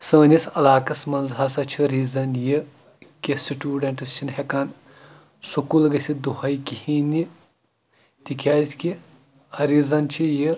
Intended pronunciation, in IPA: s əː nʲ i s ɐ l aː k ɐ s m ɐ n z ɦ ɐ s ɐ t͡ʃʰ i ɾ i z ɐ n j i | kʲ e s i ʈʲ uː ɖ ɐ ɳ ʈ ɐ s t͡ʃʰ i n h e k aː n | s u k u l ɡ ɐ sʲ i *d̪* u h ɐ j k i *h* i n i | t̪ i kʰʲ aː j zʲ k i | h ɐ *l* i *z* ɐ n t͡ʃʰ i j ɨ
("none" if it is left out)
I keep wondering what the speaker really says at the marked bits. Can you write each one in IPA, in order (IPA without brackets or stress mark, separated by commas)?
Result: d̪, h, ɾ, z